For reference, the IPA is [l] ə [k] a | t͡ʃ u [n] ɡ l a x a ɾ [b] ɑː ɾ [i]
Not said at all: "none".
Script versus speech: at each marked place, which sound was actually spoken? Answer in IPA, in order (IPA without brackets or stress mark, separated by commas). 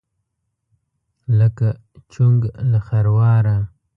l, k, ŋ, w, a